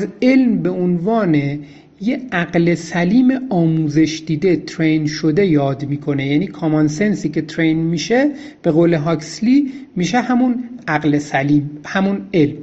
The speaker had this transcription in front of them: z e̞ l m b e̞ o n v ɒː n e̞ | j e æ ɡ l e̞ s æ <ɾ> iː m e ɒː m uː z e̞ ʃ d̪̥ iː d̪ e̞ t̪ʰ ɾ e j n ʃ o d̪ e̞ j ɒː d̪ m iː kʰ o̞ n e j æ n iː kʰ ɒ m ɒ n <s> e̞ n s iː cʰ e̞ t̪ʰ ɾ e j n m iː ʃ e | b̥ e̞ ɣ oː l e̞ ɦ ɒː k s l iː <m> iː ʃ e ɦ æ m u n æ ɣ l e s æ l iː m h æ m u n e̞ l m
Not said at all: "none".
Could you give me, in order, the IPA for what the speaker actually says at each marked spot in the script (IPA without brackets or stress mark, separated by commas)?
l, s, m